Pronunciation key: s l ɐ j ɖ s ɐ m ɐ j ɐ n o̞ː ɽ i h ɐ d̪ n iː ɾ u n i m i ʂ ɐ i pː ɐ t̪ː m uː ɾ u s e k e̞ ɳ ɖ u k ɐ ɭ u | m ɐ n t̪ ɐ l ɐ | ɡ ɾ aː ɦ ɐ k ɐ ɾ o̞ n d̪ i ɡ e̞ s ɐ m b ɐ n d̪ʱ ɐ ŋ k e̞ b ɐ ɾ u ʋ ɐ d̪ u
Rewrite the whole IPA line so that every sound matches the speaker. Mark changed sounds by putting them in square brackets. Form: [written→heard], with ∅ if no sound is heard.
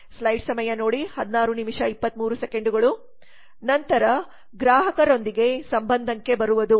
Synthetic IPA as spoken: s l ɐ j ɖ s ɐ m ɐ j ɐ n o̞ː ɽ i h ɐ d̪ n [iː→aː] ɾ u n i m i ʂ ɐ i pː ɐ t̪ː m uː ɾ u s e k e̞ ɳ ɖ u [k→ɡ] ɐ ɭ u | [m→n] ɐ n t̪ ɐ [l→ɾ] ɐ | ɡ ɾ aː ɦ ɐ k ɐ ɾ o̞ n d̪ i ɡ e̞ s ɐ m b ɐ n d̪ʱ ɐ ŋ k e̞ b ɐ ɾ u ʋ ɐ d̪ u